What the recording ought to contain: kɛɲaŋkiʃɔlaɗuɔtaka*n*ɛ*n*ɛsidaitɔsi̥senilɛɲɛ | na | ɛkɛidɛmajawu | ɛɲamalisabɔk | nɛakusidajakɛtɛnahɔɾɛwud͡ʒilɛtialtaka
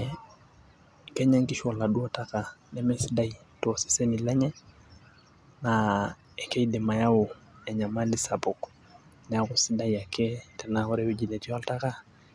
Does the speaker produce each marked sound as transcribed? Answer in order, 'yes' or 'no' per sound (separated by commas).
yes, no